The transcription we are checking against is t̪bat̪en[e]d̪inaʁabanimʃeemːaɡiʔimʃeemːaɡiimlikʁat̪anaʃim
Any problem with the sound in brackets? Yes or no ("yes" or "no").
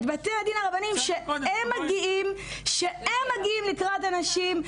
yes